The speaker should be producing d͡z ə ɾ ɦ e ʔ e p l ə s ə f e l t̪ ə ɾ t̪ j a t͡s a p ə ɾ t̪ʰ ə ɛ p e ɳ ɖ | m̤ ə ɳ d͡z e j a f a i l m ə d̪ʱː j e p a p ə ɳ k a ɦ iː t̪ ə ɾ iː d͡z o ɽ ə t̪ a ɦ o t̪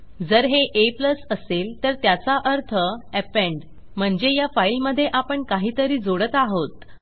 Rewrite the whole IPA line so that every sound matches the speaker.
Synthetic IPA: d͡z ə ɾ ɦ e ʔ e p l ə s ə s e l t̪ ə ɾ t̪ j a t͡s a ʔ ə ɾ t̪ʰ ə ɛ p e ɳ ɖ | m̤ ə ɳ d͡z e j a f a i l m ə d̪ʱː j e ʔ a p ə ɳ k a ɦ iː t̪ ə ɾ iː d͡z o ɽ ə t̪ a ɦ o t̪